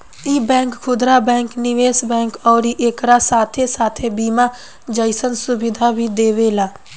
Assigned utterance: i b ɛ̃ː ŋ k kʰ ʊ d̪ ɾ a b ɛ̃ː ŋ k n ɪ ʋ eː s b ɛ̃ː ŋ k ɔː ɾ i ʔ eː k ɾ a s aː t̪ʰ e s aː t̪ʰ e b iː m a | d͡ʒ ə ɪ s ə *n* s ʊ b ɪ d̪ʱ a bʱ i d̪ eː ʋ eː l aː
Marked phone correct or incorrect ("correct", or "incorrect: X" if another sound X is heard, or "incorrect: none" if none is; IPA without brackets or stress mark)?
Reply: correct